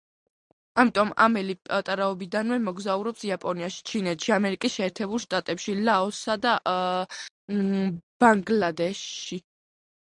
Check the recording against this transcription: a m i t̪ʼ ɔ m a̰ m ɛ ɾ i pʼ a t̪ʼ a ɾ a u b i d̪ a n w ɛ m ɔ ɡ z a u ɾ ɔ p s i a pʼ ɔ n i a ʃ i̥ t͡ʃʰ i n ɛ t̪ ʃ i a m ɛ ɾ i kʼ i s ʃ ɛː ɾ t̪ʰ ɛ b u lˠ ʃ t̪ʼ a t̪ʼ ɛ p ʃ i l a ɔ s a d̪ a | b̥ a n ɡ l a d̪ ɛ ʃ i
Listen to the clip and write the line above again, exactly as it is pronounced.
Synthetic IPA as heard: a m i t̪ʼ ɔ m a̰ m ɛ l i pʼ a t̪ʼ a ɾ a ɔ b i d̪ a n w ɛ m ɔ ɡ z a u ɾ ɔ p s i a pʼ ɔ n i a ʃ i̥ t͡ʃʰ i n ɛ t̪ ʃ i a m ɛ ɾ i kʼ i s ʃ ɛː ɾ t̪ʰ ɛ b u lˠ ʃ t̪ʼ a t̪ʼ ɛ p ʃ i l a ɔ s a d̪ a | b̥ a ŋ ɡ l a d̪ ɛ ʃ i